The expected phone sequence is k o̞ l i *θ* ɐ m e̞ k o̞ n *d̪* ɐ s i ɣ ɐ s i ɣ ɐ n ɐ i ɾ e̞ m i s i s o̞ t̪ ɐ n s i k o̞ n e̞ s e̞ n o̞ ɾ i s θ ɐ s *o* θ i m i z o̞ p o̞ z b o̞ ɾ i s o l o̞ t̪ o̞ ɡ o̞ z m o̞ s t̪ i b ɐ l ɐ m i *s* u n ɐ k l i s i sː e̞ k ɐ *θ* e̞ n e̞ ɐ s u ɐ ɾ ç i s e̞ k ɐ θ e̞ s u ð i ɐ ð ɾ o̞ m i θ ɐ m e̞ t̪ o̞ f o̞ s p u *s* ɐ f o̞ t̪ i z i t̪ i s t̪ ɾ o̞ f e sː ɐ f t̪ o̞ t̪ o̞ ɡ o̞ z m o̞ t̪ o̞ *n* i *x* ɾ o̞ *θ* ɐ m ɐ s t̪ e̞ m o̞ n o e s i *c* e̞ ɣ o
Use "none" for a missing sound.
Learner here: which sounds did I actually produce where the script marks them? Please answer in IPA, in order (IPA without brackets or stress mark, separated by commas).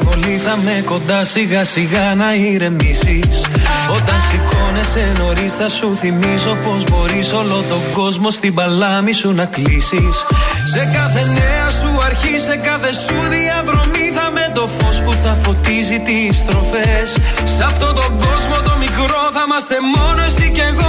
θ, d̪, u, s, θ, θ, m, k, θ, c